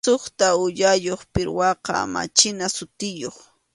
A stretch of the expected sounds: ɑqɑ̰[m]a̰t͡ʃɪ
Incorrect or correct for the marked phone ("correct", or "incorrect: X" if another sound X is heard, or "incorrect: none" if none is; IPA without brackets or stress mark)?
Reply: correct